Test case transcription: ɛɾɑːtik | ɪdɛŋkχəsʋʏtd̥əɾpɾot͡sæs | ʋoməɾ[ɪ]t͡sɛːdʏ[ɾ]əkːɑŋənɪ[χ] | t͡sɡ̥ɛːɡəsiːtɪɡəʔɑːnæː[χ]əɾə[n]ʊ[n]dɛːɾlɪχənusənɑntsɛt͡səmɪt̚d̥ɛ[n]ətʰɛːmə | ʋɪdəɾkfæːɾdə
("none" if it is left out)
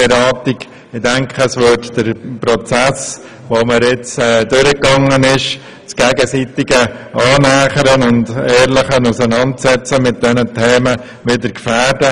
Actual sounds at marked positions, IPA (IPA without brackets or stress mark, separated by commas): ɪ, ɾ, ʃ, χ, n, n, n